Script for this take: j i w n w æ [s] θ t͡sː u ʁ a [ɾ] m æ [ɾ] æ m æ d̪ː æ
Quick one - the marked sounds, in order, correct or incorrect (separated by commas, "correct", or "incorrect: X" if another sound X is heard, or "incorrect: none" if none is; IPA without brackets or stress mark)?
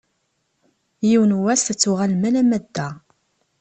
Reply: correct, incorrect: l, incorrect: l